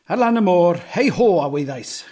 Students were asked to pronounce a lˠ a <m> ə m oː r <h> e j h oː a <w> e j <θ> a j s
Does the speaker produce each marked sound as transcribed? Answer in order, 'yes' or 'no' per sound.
no, yes, yes, no

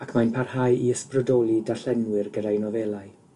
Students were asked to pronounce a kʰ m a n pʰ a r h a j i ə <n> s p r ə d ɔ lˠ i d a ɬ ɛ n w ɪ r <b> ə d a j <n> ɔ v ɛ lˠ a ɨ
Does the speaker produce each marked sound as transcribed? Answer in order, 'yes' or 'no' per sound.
no, no, yes

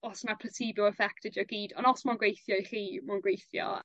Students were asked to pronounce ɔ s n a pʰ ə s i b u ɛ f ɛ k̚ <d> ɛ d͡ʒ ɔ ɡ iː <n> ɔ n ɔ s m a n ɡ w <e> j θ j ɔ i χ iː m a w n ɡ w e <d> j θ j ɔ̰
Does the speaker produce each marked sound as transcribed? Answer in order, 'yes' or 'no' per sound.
no, no, yes, no

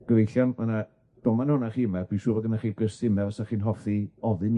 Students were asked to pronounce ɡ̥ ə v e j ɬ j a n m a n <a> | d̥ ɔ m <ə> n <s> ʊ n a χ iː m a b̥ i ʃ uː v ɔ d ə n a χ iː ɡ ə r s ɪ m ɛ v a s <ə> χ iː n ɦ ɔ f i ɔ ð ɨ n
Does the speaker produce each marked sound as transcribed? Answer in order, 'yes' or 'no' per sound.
yes, no, no, no

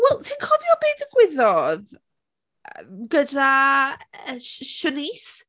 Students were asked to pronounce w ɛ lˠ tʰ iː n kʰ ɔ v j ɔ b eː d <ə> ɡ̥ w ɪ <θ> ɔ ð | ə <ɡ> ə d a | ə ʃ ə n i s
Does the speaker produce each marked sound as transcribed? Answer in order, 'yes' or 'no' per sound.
yes, no, yes

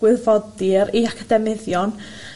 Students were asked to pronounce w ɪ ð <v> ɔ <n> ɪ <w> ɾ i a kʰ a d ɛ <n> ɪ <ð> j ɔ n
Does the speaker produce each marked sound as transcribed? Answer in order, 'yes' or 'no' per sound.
yes, no, no, no, yes

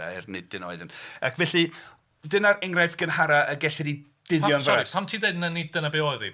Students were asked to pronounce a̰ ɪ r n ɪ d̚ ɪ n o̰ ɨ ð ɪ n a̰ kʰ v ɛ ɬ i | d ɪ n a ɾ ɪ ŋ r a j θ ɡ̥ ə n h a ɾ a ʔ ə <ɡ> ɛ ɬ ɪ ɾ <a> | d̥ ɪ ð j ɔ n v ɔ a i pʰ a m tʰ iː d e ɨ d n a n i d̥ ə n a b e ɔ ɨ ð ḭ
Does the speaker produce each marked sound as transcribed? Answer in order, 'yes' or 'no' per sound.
yes, no

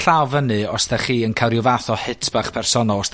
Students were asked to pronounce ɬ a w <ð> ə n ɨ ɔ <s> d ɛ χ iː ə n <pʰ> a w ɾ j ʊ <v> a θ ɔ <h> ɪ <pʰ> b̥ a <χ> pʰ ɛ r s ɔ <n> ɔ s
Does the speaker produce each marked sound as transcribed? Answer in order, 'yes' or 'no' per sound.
no, yes, no, yes, yes, no, yes, yes

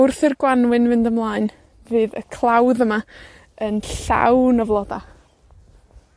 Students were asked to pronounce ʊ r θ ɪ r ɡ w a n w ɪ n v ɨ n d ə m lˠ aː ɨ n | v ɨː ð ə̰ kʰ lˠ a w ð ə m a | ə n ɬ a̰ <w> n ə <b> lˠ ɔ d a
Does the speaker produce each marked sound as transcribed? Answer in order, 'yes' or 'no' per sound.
yes, no

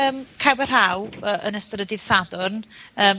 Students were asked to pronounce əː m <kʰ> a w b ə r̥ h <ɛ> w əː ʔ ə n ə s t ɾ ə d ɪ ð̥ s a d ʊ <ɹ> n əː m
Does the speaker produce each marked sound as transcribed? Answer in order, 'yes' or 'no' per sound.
yes, no, no

